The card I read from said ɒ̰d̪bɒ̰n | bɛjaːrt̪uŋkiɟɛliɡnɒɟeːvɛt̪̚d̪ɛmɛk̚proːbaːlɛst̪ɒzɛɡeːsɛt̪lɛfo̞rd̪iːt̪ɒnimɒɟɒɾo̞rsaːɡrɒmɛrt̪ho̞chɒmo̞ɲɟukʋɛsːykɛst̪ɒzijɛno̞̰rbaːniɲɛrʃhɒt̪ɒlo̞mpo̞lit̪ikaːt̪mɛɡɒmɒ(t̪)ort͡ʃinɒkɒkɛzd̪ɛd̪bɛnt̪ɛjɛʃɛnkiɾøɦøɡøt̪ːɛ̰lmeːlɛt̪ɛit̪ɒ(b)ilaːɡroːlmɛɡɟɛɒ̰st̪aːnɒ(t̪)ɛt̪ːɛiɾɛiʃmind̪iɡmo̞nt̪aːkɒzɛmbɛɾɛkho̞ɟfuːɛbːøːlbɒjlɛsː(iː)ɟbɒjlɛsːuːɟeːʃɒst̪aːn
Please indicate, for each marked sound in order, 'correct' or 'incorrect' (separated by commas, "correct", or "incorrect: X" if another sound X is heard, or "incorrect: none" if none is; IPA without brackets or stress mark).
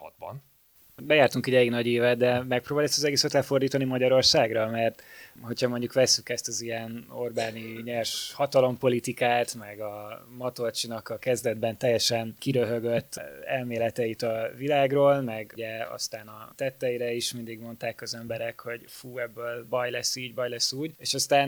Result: correct, incorrect: v, correct, correct